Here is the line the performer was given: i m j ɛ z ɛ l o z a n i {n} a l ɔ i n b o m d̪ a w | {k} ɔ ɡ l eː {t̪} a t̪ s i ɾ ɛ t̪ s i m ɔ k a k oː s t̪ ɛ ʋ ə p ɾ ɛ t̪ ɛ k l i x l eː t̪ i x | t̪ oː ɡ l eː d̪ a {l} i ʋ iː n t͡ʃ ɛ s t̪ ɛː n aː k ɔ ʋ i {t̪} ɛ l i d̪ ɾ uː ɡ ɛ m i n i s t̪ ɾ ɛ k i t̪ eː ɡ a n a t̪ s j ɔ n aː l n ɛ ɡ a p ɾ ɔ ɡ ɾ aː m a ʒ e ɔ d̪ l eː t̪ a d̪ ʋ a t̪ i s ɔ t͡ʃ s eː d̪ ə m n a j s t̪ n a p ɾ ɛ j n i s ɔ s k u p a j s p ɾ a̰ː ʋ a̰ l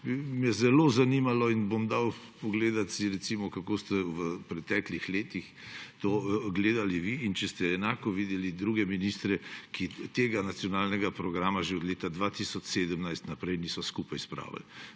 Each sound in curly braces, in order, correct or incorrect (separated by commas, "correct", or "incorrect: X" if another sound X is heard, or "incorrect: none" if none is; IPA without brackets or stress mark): incorrect: m, incorrect: p, incorrect: d̪, correct, incorrect: d̪